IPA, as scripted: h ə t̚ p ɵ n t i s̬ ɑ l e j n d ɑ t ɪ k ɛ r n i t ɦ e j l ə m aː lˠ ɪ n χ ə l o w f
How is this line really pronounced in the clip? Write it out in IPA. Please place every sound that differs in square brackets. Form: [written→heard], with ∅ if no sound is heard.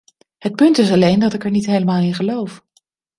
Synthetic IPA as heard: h ə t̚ p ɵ n t [i→ɪ] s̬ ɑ l e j n d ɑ t ɪ k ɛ [r→ɹ] n i t ɦ e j l ə m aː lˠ ɪ n χ ə l o w f